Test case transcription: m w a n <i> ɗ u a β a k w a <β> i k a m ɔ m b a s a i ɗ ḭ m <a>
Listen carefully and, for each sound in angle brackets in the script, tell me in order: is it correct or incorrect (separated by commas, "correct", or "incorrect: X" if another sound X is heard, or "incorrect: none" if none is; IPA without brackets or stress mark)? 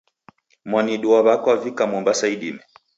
correct, incorrect: v, incorrect: ɛ